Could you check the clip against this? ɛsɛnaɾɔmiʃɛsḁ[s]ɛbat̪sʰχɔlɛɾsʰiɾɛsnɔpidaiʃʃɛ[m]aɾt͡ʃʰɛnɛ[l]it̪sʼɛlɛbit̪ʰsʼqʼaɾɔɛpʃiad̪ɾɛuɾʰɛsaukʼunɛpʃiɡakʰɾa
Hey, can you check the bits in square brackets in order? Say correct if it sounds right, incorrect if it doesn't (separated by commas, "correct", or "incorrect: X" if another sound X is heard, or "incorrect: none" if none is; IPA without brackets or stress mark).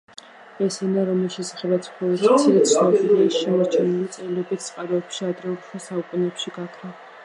incorrect: χ, correct, correct